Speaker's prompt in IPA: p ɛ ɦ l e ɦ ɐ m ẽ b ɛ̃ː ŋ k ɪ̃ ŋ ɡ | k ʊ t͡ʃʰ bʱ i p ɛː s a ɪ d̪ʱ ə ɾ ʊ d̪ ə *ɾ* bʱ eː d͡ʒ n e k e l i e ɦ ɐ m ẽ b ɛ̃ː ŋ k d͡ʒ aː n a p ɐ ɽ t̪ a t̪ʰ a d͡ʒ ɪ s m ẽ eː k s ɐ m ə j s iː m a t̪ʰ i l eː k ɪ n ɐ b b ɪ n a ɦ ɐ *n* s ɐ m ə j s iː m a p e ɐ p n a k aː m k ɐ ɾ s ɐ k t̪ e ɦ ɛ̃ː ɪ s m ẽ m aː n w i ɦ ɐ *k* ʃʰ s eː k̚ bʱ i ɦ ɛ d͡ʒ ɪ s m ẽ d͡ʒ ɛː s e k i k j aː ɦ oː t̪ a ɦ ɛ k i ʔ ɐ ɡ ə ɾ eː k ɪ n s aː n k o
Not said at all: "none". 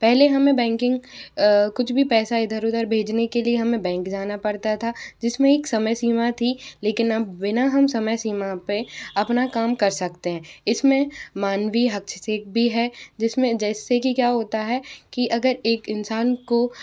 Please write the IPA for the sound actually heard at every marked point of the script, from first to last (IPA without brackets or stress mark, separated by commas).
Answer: ɾ, m, k